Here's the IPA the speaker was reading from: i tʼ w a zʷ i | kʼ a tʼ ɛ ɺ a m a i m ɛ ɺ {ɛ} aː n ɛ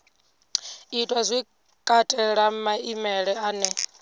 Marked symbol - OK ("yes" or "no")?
yes